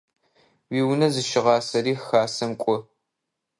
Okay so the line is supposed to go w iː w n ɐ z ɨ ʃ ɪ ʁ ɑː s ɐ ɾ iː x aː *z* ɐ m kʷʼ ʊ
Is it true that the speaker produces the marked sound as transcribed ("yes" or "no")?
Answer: no